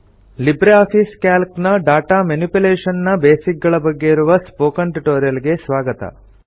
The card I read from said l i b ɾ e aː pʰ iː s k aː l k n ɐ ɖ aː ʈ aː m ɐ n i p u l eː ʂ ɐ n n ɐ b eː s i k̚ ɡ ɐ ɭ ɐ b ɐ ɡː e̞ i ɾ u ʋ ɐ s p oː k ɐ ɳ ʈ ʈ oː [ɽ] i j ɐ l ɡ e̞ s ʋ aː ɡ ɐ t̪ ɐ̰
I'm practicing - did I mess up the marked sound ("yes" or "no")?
yes